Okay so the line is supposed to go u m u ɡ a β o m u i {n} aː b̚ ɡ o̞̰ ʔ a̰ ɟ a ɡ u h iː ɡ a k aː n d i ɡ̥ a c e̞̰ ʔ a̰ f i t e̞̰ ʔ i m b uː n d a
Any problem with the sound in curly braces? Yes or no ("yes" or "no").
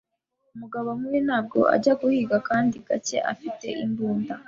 no